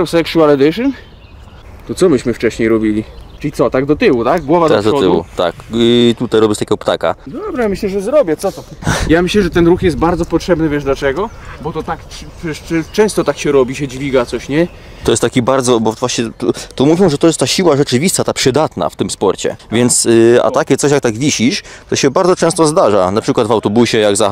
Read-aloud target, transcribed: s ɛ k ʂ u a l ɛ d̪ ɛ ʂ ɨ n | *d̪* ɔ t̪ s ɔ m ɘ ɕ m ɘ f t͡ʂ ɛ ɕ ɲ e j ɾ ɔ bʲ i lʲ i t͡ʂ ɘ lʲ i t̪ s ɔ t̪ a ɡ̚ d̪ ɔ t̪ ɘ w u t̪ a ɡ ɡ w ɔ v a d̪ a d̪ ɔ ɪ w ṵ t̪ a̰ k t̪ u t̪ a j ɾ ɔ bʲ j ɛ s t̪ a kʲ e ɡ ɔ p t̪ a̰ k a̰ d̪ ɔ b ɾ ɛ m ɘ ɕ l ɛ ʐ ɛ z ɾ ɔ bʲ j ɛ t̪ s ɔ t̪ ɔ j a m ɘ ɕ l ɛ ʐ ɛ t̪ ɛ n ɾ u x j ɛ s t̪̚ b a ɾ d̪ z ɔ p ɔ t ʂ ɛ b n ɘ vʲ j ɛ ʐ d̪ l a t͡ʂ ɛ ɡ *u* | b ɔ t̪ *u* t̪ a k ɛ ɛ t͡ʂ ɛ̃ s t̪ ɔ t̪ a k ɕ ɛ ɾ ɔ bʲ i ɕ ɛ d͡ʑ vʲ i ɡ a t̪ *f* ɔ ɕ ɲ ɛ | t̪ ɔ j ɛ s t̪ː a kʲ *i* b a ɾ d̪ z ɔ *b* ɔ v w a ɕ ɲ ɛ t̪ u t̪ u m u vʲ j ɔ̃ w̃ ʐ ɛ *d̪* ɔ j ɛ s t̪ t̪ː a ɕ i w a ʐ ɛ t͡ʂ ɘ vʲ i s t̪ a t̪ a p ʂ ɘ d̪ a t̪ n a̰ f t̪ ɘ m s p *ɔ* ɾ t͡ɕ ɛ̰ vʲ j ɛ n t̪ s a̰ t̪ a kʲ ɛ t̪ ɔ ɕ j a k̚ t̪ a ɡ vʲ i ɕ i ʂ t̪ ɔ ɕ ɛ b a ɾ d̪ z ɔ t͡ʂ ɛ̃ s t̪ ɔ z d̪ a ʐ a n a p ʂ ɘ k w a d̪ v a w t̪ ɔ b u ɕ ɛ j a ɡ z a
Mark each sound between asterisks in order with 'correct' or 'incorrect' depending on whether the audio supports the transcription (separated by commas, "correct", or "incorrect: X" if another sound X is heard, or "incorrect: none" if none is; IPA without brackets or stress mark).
incorrect: t̪, incorrect: ɔ, incorrect: ɔ, incorrect: s, correct, correct, incorrect: t̪, correct